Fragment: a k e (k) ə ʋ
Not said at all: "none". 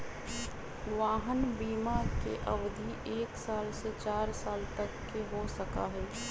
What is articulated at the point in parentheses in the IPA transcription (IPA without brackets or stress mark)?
ʔ